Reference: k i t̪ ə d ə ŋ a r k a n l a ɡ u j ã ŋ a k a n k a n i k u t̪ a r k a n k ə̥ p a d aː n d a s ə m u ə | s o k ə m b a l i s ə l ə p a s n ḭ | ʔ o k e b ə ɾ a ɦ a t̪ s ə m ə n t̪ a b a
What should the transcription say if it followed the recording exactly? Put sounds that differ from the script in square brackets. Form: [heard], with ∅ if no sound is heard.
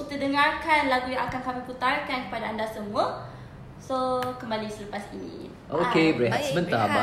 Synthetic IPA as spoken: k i t̪ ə d ə ŋ a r k a n l a ɡ u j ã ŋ a k a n k a [m] i [p] u t̪ a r k a n k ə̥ p a d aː n d a s ə m u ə | s o k ə m b a l i s ə l ə p a s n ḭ | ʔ o k e b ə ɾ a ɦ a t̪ s ə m ə n t̪ a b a